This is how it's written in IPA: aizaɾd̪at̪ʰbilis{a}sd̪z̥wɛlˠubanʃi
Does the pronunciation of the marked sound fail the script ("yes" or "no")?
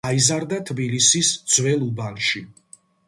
yes